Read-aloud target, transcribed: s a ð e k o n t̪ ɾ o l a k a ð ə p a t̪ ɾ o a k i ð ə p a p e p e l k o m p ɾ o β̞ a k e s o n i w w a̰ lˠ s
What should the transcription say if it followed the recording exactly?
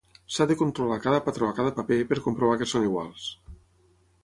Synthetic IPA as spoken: s a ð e k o n t̪ ɾ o l a k a ð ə p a t̪ ɾ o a k a ð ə p a p e p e ɾ k o m p ɾ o β̞ a k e s o n i ɣ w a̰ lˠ s